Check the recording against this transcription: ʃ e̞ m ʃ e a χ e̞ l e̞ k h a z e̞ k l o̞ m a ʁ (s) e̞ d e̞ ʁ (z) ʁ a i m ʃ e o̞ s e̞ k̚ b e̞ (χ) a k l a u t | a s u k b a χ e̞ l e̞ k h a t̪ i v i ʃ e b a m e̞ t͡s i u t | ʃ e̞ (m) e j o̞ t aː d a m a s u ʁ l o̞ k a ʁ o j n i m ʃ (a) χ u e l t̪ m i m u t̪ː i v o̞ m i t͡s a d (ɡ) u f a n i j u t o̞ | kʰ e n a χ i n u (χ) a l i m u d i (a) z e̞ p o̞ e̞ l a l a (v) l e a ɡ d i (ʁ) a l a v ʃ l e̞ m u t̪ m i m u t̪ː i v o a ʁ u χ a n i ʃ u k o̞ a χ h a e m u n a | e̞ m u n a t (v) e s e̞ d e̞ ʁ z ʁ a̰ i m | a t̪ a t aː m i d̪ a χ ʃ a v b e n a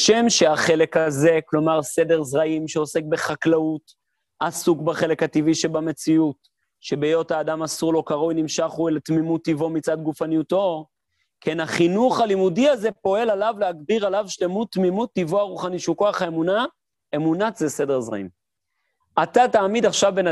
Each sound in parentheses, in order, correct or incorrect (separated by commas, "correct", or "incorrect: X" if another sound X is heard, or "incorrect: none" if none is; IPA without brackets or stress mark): correct, correct, correct, incorrect: b, correct, correct, correct, correct, correct, correct, incorrect: z